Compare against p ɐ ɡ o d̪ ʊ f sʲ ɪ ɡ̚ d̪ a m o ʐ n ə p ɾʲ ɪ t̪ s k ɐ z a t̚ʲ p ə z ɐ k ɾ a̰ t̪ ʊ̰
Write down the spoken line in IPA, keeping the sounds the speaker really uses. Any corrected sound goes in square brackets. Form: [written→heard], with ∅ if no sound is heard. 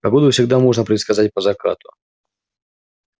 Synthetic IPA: p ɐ ɡ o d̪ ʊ f sʲ ɪ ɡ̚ d̪ a m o ʐ n ə p ɾʲ ɪ t̪ s k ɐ z a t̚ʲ p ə z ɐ k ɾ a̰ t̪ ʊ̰